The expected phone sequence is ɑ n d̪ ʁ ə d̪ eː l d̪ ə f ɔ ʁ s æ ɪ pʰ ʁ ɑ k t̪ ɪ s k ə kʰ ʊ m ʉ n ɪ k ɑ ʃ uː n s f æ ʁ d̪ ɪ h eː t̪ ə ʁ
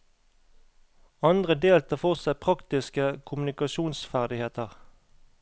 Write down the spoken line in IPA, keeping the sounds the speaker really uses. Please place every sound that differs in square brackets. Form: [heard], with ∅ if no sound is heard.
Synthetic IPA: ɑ n d̪ ʁ ə d̪ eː l [t̪] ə f ɔ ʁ s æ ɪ pʰ ʁ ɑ k t̪ ɪ s k ə kʰ ʊ m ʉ n ɪ k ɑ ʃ uː n s f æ ʁ d̪ ɪ h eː t̪ ə ʁ